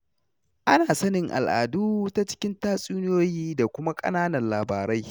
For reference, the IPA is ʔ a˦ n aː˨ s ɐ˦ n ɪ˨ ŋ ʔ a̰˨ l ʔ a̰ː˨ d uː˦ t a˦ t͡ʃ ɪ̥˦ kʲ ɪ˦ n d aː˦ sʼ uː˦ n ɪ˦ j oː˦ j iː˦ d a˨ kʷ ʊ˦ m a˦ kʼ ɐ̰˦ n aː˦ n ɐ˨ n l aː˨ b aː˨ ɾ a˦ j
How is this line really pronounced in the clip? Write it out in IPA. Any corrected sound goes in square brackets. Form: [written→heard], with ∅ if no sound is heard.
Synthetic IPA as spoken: ʔ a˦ n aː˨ s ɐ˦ n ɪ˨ ŋ ʔ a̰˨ l ʔ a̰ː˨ d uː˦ t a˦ t͡ʃ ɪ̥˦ kʲ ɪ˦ n [d→t] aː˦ sʼ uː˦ n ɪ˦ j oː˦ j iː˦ d a˨ kʷ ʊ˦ m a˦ kʼ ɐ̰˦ n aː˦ n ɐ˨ n l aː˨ b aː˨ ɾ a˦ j